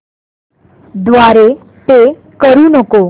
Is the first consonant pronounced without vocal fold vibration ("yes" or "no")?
no